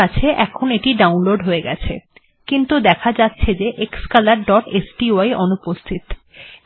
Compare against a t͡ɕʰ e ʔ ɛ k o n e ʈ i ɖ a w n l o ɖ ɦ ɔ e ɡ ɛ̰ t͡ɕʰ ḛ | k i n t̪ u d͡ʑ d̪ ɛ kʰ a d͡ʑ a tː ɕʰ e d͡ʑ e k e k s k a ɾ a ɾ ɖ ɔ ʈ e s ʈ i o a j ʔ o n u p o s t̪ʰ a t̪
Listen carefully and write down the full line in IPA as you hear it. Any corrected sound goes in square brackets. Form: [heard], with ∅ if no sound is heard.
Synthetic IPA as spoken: a t͡ɕʰ e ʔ ɛ [kʰ] o n e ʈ i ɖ a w n l o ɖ ɦ [o] e ɡ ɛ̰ t͡ɕʰ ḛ | k i n t̪ u [∅] d̪ ɛ kʰ a d͡ʑ a tː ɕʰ e d͡ʑ e [ʔ] e k s k a [l] a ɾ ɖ ɔ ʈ e s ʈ i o a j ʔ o n u p o s t̪ʰ [i] t̪